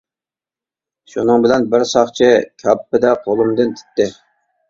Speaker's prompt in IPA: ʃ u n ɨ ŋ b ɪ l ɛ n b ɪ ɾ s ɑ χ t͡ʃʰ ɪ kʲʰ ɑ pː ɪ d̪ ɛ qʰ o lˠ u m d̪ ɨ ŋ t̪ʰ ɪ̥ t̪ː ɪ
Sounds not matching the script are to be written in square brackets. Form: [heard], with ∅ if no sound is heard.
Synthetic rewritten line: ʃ u n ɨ ŋ b ɪ l ɛ n b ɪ ɾ s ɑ χ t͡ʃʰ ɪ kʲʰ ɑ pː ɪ d̪ ɛ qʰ o lˠ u m d̪ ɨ [n] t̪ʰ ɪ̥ t̪ː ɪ